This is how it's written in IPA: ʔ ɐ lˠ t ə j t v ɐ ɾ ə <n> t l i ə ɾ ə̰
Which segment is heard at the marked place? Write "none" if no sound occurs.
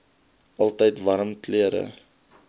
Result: m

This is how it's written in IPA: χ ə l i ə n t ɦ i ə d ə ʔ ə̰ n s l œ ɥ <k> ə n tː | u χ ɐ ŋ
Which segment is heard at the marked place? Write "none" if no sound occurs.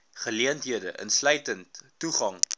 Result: t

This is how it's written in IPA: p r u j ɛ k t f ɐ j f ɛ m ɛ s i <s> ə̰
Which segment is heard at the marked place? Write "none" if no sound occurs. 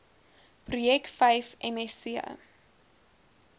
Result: none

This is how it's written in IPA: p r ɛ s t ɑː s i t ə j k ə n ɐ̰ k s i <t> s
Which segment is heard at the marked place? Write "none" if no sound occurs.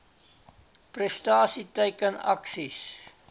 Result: none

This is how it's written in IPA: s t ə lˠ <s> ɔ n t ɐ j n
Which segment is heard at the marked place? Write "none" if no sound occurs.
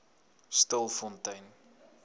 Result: f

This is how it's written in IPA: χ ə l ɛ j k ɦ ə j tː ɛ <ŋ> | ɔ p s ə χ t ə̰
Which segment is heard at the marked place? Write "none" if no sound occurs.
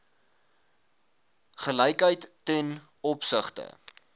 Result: n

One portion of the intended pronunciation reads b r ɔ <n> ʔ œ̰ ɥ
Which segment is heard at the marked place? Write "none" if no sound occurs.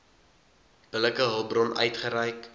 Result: n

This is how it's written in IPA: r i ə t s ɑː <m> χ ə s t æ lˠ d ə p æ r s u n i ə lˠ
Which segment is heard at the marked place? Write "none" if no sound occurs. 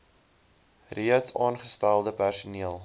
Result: n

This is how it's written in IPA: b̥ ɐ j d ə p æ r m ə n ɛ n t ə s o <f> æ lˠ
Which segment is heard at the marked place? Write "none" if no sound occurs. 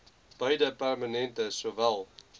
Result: v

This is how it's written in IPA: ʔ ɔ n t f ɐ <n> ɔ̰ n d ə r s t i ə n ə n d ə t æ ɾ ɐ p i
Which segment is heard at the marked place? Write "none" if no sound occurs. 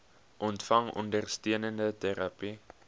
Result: ŋ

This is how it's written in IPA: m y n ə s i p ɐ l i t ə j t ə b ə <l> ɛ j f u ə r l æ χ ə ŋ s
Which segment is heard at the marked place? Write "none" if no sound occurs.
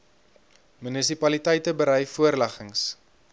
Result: ɾ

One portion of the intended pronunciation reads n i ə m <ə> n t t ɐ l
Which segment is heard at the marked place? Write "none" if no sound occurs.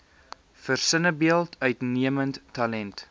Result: ə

